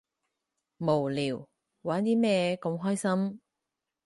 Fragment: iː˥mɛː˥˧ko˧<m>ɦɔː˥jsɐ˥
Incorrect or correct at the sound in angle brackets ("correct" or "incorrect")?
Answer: correct